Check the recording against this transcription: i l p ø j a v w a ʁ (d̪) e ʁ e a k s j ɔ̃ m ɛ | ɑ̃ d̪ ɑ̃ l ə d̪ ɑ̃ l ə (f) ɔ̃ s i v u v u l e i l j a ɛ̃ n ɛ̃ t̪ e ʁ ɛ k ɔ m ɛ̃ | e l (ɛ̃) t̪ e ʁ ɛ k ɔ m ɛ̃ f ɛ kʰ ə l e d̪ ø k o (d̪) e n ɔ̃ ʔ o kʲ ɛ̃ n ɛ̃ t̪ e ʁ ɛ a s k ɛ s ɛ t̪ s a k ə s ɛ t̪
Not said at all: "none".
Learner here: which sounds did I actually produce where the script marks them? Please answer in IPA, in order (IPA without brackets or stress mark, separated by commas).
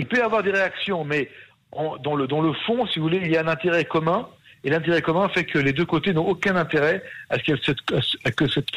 d̪, f, ɛ̃, t̪